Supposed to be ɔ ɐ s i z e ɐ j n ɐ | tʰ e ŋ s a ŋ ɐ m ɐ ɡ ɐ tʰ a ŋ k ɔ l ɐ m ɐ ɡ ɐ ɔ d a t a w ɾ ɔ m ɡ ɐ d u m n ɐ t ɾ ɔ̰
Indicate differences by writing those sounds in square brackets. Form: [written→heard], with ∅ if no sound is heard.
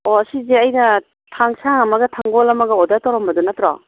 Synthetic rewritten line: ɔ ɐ s i z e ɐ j n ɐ | tʰ [e→a] ŋ s a ŋ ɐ m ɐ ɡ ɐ tʰ a ŋ [k→ɡ] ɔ l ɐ m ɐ ɡ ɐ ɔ d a t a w ɾ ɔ m [ɡ→b] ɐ d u [m→∅] n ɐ t ɾ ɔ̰